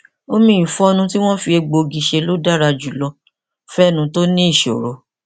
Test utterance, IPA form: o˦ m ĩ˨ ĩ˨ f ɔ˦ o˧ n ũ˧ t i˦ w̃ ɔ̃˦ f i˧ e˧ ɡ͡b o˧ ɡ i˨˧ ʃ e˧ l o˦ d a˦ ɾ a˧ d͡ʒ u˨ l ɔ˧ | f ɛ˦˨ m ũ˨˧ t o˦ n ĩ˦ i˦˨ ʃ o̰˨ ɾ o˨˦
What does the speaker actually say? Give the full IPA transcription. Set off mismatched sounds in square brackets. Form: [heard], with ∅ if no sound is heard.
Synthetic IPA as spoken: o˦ m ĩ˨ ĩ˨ f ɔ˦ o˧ n ũ˧ t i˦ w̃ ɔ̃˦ f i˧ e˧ ɡ͡b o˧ ɡ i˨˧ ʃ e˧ l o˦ d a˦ ɾ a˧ d͡ʒ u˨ l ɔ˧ | f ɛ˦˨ [n] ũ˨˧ t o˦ n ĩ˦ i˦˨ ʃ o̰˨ ɾ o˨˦